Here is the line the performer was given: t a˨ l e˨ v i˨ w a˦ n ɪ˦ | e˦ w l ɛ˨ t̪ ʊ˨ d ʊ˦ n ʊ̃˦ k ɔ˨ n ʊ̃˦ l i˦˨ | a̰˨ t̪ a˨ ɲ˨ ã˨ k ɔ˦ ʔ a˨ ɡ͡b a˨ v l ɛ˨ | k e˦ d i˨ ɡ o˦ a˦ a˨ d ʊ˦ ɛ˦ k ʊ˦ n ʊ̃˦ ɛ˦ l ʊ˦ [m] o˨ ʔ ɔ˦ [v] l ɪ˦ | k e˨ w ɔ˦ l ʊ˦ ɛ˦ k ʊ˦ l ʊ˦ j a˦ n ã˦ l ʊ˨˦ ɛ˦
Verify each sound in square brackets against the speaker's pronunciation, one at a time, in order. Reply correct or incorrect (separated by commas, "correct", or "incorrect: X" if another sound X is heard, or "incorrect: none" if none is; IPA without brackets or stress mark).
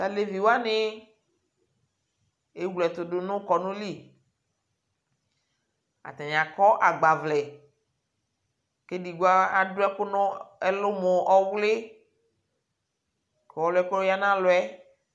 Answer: correct, incorrect: w